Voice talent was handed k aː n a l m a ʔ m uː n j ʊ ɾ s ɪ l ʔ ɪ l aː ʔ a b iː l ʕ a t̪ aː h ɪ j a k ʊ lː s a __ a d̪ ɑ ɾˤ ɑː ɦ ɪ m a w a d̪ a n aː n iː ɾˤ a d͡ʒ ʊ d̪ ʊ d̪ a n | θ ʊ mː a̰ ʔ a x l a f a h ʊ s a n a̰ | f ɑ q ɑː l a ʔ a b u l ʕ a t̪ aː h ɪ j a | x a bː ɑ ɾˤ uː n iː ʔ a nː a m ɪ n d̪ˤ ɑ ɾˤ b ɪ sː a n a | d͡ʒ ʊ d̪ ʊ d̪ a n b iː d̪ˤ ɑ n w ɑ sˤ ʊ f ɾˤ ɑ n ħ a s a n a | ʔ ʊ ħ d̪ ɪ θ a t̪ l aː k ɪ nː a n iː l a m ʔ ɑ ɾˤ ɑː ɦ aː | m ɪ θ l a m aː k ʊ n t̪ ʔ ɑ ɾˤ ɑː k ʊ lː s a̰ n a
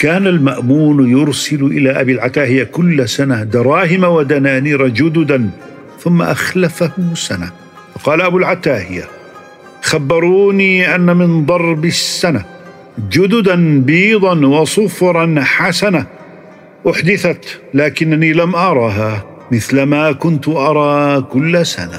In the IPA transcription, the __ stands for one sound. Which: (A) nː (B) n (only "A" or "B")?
B